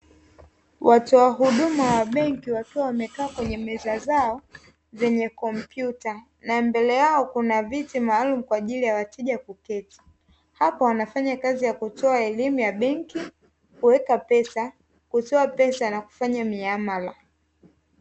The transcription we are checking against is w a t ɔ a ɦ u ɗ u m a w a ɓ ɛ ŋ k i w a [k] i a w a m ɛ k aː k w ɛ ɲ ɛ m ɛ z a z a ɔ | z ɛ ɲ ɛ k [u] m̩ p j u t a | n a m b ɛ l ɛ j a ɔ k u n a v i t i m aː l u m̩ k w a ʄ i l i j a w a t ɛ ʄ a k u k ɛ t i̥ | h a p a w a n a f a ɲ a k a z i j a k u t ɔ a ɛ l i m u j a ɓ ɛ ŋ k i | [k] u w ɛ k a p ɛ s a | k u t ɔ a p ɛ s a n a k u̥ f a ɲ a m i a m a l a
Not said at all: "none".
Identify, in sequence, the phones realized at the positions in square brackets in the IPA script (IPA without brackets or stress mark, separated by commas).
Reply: k, ɔ, k